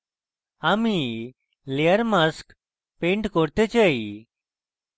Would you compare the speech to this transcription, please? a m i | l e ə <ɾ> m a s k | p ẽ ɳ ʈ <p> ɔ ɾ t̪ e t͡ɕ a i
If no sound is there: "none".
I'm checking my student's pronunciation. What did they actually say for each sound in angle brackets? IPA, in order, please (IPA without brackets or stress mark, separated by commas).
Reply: ɾ, k